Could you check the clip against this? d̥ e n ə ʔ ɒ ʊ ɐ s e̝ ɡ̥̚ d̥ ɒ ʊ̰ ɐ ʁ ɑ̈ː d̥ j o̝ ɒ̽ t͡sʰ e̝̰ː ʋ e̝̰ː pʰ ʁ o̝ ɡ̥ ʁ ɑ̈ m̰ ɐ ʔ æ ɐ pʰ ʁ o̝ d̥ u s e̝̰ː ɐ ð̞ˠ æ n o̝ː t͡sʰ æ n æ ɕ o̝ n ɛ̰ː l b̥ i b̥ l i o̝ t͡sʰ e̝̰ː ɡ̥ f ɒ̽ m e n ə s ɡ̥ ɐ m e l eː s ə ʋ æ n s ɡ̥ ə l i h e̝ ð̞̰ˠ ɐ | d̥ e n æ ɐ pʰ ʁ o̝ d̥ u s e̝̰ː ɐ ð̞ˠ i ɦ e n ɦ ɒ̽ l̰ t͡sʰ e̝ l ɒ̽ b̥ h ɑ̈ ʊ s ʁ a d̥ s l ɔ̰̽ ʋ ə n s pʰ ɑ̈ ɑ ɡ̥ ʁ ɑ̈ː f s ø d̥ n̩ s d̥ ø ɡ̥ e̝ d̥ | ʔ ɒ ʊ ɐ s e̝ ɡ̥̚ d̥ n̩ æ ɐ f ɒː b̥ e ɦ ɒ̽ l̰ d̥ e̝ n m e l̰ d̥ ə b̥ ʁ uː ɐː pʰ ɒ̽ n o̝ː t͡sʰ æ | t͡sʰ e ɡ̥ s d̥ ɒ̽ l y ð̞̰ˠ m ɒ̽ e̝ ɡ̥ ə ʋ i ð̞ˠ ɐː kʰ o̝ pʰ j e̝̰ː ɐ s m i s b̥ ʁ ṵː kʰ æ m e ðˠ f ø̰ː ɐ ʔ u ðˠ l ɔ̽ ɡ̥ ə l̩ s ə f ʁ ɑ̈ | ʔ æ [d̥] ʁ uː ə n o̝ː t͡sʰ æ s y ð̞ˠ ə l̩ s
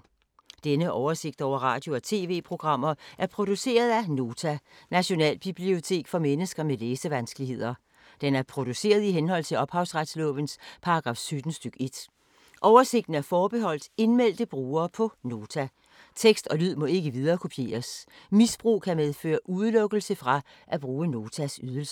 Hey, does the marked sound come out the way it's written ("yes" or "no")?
no